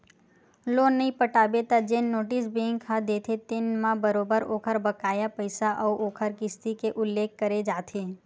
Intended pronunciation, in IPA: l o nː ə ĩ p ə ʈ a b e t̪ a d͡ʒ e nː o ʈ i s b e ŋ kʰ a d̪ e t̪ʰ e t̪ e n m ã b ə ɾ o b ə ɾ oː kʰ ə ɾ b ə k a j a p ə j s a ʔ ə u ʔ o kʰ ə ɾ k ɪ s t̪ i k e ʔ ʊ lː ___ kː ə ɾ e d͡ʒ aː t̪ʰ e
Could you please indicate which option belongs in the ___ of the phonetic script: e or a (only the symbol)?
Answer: e